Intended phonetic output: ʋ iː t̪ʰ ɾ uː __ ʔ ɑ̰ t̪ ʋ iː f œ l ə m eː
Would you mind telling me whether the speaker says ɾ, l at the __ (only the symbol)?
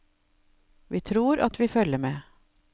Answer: ɾ